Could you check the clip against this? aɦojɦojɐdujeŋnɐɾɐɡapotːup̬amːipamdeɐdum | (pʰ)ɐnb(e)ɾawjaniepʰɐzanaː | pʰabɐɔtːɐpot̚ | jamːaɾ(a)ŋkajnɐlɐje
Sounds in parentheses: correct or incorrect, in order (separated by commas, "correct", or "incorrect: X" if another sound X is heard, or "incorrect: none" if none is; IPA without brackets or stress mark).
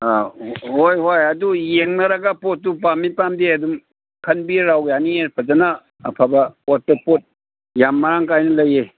incorrect: kʰ, incorrect: i, correct